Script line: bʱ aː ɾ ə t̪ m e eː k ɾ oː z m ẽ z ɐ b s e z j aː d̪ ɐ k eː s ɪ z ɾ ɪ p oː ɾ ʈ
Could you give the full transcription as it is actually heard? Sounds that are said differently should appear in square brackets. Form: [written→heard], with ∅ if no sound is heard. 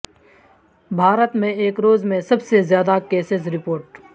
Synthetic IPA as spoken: bʱ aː ɾ ə t̪ m [e→ẽ] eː k ɾ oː z m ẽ [z→s] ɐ b s e z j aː d̪ [ɐ→a] k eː s ɪ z ɾ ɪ p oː ɾ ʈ